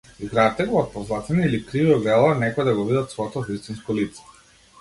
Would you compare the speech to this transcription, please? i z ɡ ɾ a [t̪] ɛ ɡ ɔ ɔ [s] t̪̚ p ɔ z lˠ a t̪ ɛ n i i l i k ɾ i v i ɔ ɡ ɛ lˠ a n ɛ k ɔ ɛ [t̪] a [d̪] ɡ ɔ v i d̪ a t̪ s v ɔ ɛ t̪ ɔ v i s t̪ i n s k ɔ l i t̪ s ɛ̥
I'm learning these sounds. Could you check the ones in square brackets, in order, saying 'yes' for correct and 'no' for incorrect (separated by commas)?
yes, no, no, no